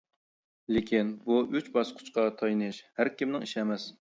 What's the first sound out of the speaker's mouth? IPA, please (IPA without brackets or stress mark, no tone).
l